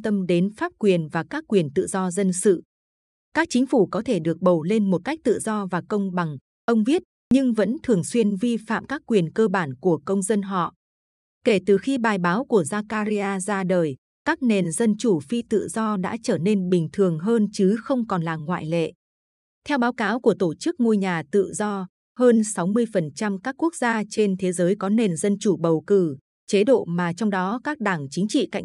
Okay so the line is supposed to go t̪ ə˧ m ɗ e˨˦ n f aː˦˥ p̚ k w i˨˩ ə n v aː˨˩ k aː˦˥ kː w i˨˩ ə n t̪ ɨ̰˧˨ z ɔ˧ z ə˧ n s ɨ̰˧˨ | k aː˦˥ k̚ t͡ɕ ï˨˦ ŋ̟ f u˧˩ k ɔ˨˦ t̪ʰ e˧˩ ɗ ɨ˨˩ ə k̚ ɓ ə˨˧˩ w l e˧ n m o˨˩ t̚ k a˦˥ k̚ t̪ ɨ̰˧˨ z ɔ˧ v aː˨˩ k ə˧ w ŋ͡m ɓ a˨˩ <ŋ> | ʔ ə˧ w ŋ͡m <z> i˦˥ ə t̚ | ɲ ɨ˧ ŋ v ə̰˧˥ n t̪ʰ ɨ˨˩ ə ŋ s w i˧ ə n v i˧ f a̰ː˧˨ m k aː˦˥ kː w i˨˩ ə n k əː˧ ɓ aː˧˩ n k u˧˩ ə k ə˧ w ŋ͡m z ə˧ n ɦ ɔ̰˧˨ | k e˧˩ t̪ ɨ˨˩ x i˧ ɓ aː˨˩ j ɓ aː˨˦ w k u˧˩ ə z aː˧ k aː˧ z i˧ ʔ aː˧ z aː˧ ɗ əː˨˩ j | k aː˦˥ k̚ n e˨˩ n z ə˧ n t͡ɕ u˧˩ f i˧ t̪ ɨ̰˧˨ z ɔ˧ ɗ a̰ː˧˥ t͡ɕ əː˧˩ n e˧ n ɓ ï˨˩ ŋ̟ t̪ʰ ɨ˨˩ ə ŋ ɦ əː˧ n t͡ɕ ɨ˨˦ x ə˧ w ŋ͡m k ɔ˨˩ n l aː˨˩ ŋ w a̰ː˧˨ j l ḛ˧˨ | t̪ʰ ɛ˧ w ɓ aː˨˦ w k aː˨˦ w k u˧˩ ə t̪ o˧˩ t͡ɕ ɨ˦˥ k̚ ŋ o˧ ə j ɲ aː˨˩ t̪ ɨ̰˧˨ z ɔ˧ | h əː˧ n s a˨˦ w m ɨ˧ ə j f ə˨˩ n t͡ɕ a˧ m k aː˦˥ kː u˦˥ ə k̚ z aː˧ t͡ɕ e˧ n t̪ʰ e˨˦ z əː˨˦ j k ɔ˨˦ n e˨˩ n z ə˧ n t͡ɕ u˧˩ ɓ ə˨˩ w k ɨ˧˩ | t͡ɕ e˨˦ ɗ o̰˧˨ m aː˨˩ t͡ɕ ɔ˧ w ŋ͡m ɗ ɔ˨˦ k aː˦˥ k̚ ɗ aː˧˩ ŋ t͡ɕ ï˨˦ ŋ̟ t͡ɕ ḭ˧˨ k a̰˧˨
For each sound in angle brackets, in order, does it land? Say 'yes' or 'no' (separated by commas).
yes, no